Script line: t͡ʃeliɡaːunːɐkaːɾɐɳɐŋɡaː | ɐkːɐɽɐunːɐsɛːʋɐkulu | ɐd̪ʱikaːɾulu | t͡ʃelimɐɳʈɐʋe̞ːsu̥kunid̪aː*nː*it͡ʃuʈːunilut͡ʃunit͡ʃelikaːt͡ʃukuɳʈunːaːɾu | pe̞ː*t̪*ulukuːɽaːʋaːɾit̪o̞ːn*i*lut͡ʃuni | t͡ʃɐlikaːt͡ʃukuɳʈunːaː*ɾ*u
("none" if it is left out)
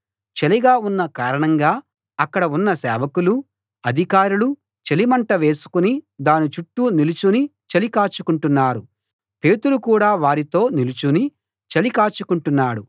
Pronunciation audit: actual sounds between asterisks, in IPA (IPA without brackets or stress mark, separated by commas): n, t̪, i, ɽ